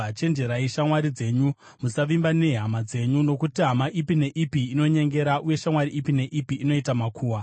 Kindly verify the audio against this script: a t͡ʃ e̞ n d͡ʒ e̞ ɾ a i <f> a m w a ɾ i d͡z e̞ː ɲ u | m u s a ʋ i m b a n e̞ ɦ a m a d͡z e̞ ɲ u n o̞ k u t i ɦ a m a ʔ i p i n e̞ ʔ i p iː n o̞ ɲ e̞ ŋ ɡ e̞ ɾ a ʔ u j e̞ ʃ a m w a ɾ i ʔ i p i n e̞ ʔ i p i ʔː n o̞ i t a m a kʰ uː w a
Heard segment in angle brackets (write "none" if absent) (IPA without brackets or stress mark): ʃ